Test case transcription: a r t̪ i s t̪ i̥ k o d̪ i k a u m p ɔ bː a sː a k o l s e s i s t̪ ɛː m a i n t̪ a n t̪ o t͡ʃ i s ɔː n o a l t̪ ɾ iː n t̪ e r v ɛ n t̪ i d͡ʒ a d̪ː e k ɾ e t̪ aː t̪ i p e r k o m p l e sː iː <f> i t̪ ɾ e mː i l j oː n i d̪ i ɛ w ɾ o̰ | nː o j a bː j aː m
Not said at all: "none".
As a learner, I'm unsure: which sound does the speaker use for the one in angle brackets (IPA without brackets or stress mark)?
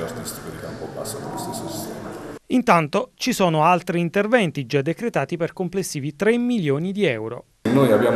v